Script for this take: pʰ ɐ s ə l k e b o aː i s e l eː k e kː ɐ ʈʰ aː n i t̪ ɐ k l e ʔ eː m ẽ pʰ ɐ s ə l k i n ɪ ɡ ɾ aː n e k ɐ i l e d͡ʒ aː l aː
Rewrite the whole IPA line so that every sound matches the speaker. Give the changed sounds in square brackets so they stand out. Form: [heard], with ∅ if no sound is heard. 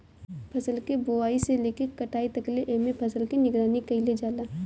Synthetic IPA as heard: pʰ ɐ s ə l k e b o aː i s e l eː k e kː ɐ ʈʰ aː [∅] i t̪ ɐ k l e ʔ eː m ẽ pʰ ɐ s ə l k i n ɪ ɡ ɾ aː n [i] k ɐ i l e d͡ʒ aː l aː